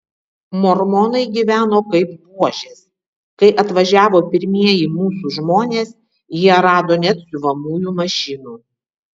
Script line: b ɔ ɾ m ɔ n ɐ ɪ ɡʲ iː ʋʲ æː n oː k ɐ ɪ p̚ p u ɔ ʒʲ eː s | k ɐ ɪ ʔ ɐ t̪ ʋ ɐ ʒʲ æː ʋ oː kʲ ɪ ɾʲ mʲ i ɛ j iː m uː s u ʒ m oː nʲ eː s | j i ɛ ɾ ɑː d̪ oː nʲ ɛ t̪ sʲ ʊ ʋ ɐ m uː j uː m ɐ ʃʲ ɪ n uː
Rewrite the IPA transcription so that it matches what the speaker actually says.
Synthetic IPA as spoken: m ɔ ɾ m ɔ n ɐ ɪ ɡʲ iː ʋʲ æː n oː k ɐ ɪ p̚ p u ɔ ʒʲ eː s | k ɐ ɪ ʔ ɐ t̪ ʋ ɐ ʒʲ æː ʋ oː pʲ ɪ ɾʲ mʲ i ɛ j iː m uː s u ʒ m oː nʲ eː s | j i ɛ ɾ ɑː d̪ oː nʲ ɛ t̪ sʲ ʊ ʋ ɐ m uː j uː m ɐ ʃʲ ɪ n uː